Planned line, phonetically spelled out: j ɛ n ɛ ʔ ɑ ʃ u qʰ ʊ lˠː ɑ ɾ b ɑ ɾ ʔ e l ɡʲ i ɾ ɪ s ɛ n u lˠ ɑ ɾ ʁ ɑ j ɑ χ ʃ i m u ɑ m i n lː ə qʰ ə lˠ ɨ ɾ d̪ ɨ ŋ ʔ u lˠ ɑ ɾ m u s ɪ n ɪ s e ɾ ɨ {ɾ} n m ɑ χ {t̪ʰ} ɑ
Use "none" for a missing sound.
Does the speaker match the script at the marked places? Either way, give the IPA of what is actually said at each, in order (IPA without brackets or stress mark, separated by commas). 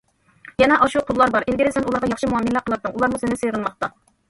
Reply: none, t̪